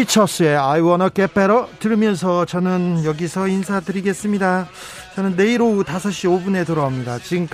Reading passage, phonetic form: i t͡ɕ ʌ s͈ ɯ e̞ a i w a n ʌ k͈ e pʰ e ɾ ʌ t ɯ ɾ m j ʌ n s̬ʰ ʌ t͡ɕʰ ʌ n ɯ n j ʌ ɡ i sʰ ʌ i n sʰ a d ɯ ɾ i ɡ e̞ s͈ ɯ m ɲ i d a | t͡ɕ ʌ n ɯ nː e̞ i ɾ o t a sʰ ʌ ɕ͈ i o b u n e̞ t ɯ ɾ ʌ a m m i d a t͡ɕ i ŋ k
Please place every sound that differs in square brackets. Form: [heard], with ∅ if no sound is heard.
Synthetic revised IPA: i [t͡ɕʰ] ʌ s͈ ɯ e̞ a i w [ʌ] n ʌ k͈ e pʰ e ɾ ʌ t ɯ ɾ m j ʌ n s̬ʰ ʌ [t͡ɕ] ʌ n ɯ n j ʌ ɡ i sʰ ʌ i n sʰ a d ɯ ɾ i ɡ e̞ s͈ ɯ m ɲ i d a | t͡ɕ ʌ n ɯ nː e̞ i ɾ o t a sʰ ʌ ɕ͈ i o b u n e̞ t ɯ ɾ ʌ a m [ɲ] i d a t͡ɕ i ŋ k